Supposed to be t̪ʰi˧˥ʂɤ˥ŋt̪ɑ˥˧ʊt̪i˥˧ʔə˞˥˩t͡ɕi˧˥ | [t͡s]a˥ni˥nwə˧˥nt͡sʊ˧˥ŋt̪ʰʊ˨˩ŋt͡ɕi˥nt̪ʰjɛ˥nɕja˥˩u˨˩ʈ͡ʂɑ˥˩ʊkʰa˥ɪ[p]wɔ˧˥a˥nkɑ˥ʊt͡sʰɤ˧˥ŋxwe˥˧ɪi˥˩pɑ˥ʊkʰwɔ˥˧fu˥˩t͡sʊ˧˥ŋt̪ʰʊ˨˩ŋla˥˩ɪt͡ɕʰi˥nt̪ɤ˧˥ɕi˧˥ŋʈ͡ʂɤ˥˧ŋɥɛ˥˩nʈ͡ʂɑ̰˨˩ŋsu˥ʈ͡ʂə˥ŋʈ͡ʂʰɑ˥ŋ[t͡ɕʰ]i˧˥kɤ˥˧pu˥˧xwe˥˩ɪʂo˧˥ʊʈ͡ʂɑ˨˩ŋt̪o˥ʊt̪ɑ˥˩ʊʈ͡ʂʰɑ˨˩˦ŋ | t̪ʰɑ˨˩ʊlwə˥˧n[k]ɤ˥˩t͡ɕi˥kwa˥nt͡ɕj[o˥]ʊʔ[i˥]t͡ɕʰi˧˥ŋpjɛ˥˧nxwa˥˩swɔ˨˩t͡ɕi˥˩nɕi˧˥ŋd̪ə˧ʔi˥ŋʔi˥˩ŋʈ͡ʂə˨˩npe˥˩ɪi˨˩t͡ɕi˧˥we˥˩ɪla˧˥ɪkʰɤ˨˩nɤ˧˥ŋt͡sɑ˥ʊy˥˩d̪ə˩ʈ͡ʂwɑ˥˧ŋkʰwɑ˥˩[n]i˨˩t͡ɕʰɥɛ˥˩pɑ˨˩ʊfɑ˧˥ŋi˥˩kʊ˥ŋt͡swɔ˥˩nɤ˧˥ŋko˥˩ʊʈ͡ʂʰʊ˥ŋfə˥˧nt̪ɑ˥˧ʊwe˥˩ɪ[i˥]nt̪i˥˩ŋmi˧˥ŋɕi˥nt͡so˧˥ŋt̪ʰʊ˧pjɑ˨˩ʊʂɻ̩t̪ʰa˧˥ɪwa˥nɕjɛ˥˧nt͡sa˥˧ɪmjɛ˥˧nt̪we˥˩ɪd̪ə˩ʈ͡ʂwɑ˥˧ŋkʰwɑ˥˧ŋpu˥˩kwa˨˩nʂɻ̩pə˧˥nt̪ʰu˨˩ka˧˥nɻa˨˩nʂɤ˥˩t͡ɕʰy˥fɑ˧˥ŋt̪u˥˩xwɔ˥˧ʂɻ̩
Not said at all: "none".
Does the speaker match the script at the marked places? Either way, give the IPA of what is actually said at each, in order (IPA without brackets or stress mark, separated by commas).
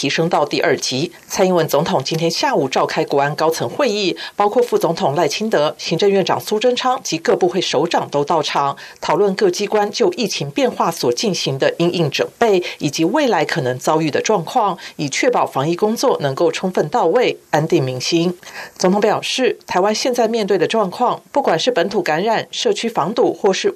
t͡sʰ, k, t͡ɕ, k, o˥˧, i˥˩, ŋ, a˥